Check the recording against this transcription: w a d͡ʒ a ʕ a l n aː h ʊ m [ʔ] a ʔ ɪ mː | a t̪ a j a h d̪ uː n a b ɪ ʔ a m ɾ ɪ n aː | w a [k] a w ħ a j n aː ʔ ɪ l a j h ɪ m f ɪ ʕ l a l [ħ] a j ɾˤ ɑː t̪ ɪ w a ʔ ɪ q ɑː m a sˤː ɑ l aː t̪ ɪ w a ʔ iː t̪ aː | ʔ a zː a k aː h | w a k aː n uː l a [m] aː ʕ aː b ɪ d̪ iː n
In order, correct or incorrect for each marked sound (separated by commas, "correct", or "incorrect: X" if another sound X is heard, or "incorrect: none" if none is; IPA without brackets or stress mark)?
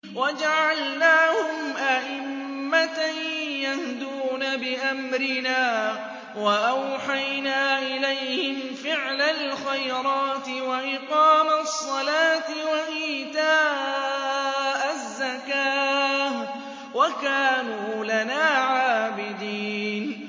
correct, incorrect: ʔ, incorrect: x, incorrect: n